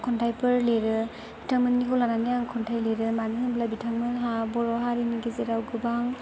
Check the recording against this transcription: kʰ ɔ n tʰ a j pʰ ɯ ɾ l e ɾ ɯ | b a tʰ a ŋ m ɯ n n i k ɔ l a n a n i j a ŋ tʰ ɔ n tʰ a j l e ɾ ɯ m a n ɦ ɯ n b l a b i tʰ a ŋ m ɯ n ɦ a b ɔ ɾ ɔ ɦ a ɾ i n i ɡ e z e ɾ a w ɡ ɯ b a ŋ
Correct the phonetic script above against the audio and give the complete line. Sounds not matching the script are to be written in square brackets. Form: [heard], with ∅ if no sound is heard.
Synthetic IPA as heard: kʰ ɔ n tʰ a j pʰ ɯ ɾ l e ɾ ɯ | b [i] tʰ a ŋ m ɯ n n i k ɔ l a n a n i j a ŋ [kʰ] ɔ n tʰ a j l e ɾ ɯ m a n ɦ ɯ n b l a b i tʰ a ŋ m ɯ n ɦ a b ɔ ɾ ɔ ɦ a ɾ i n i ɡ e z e ɾ a w ɡ ɯ b a ŋ